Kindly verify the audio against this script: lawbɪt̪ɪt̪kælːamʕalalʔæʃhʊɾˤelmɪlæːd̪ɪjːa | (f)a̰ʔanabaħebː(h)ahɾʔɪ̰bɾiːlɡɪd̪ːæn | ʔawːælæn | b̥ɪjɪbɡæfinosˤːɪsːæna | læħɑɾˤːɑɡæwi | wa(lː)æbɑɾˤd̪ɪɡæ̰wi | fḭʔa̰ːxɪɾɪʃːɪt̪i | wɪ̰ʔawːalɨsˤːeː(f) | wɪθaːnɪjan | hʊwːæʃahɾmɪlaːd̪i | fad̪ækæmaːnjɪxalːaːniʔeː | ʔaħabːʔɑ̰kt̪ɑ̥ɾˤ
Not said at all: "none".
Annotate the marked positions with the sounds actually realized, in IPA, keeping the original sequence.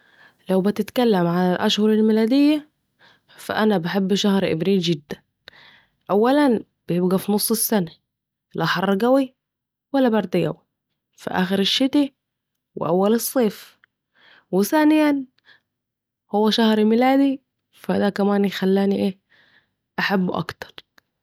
f, ʃ, lː, f

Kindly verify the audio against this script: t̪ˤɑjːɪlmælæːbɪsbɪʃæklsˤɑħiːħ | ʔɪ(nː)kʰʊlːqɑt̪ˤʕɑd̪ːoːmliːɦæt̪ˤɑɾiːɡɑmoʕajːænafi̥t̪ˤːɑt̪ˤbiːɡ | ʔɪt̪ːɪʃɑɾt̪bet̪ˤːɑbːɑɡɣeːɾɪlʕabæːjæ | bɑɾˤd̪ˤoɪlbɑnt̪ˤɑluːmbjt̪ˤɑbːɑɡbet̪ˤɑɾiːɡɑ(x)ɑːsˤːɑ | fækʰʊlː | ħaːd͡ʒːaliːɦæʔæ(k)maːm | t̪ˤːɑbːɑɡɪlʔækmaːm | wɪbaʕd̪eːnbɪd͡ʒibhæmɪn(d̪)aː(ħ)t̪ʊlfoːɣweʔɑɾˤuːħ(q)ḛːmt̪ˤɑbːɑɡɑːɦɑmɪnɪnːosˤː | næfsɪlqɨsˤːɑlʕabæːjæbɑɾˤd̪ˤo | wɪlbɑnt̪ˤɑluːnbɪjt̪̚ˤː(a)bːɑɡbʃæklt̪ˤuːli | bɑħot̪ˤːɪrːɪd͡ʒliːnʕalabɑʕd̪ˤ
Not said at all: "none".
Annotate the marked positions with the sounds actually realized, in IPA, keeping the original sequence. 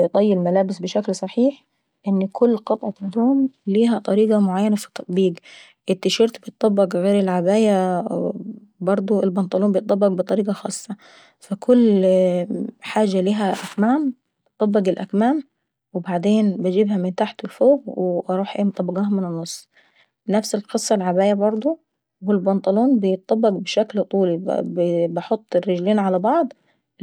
nː, x, k, t̪, ħ, ʔ, ɑ

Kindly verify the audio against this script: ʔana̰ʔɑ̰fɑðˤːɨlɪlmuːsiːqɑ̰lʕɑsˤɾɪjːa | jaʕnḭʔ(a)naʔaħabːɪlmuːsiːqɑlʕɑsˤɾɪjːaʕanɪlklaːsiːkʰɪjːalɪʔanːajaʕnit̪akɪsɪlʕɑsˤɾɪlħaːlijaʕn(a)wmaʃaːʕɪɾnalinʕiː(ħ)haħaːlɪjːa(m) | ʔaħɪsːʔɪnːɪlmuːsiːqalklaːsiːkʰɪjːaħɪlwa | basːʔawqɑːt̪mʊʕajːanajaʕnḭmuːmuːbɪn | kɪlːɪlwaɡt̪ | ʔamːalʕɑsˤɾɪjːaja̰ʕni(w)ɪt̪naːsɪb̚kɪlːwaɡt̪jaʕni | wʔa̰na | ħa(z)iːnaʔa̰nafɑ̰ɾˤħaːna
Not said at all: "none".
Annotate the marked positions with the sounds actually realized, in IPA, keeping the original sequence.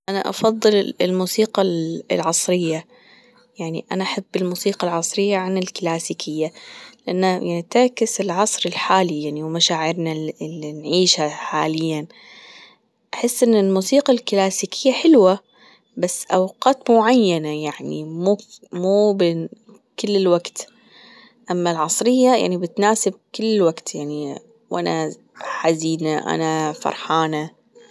a, i, ʃ, n, b, z

